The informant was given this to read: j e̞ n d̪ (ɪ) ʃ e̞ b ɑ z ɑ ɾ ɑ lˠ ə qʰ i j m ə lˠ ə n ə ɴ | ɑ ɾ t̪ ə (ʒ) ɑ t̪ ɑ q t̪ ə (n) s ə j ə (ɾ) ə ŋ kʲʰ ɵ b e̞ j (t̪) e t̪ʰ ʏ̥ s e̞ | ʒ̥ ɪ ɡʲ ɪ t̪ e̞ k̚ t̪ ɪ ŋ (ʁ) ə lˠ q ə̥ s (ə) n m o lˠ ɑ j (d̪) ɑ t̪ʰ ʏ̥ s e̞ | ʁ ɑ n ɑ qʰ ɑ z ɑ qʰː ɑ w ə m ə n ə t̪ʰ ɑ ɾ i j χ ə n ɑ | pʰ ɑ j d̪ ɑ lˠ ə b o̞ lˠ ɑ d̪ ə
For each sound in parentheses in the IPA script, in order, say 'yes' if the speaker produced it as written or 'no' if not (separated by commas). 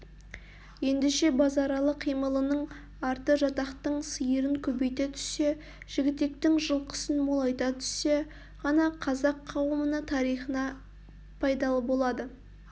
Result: yes, yes, no, yes, yes, no, yes, no